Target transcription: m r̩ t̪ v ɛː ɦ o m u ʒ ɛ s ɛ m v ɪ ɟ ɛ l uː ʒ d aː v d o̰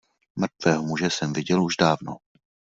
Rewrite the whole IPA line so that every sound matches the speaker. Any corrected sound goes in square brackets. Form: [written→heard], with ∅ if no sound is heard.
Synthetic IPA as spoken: m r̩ t̪ v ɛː ɦ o m u ʒ ɛ s ɛ m v ɪ ɟ ɛ l [uː→u] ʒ d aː v [d→n] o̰